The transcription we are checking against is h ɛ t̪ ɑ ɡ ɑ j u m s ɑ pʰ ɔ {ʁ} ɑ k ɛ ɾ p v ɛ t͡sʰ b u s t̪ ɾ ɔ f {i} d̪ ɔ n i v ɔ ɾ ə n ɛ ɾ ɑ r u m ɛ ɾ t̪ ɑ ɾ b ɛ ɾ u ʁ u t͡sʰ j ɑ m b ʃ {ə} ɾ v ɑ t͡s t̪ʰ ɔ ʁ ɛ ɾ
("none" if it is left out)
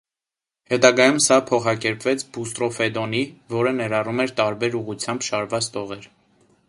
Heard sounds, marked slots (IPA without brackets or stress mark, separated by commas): χ, ɛ, ɑ